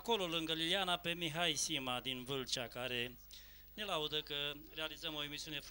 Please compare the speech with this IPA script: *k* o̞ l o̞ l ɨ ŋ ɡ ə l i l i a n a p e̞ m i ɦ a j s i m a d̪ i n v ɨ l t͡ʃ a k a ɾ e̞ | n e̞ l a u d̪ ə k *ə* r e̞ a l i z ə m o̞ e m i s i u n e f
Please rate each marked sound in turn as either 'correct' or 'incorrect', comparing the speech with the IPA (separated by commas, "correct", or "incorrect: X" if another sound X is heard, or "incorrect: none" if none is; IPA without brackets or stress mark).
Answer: correct, correct